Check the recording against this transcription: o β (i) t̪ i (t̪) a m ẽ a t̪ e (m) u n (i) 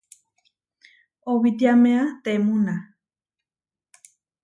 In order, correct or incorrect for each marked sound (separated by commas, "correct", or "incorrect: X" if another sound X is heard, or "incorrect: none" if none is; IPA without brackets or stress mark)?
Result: correct, incorrect: none, correct, incorrect: a